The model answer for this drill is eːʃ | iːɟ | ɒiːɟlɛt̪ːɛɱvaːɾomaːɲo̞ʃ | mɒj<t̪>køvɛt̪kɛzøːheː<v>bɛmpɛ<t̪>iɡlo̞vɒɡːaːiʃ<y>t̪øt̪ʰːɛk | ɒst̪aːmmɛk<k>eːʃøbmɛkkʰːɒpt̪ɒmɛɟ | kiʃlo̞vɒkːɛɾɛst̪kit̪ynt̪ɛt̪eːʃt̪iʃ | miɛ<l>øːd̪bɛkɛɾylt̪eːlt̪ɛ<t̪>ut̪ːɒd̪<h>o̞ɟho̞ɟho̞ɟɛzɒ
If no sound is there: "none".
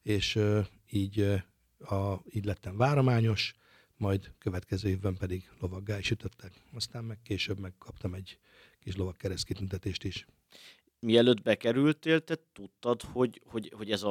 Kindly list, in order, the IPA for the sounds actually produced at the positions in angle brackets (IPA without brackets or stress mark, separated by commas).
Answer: d̪, v, d̪, y, k, l, t̪, h